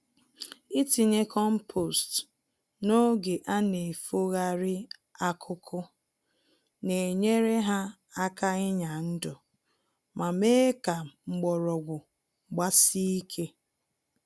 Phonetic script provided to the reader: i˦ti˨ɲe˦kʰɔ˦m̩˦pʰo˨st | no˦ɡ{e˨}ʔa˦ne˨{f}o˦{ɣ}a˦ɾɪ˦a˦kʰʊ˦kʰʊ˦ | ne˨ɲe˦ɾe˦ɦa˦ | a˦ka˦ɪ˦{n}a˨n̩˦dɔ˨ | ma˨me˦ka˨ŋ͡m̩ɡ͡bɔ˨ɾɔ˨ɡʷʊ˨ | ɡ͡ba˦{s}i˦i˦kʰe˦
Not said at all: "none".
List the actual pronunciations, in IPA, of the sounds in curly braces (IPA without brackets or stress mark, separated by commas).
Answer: e˨, f, ɣ, ɲ, s